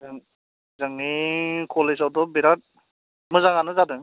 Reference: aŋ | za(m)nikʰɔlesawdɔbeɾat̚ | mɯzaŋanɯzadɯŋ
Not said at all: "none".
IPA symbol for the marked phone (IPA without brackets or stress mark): ŋ